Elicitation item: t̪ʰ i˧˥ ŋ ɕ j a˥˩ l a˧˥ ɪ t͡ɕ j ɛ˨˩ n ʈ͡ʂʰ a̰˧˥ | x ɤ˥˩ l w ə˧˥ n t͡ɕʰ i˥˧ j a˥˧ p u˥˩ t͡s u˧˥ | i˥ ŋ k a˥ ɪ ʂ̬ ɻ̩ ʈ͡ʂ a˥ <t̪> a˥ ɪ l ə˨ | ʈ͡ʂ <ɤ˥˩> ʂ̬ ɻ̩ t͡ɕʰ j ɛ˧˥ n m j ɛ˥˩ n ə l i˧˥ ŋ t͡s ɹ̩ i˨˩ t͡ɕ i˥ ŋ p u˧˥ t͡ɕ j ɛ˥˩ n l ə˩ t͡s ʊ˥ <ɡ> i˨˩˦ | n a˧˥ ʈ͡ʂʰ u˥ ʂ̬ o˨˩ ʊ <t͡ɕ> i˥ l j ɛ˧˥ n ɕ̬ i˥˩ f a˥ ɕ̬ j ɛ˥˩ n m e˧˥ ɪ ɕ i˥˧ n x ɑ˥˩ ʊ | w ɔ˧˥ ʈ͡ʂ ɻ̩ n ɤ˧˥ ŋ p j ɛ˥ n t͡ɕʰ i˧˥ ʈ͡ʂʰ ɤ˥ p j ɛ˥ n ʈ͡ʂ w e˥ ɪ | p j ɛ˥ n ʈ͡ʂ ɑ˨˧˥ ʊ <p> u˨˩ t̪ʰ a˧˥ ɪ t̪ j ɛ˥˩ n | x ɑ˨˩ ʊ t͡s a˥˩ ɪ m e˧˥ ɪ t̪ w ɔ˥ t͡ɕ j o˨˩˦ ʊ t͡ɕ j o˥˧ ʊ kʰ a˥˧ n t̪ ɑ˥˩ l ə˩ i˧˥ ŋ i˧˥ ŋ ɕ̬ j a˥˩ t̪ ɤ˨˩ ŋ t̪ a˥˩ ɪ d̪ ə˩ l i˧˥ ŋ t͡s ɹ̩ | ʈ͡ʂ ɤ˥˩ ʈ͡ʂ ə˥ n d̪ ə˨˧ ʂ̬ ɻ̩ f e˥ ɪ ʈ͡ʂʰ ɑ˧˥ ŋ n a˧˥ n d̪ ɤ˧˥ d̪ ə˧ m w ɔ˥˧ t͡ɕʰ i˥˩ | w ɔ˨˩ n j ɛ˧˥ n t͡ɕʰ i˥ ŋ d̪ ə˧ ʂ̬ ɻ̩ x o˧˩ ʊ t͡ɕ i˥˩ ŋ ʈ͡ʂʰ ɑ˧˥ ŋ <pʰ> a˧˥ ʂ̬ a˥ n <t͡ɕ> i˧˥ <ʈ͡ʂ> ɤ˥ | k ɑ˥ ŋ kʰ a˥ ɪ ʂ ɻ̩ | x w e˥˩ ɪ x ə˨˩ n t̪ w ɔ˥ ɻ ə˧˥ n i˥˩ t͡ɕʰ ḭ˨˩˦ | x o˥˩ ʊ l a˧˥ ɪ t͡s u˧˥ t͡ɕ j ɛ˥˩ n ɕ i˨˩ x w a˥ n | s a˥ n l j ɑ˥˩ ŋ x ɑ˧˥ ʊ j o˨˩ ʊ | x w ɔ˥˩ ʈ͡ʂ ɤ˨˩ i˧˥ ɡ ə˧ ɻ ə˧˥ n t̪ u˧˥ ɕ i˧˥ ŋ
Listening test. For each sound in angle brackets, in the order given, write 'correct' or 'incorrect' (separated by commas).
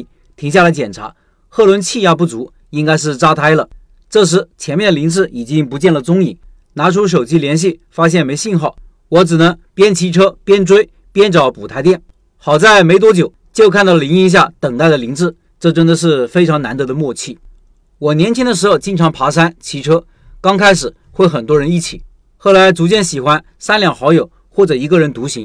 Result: incorrect, correct, incorrect, correct, correct, correct, incorrect, incorrect